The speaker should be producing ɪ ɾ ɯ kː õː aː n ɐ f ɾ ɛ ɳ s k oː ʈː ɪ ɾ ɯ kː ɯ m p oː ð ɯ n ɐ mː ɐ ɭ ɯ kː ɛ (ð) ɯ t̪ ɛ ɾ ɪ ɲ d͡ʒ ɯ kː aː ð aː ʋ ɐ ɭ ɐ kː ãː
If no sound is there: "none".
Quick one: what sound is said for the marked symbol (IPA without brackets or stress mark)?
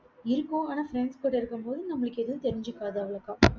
ð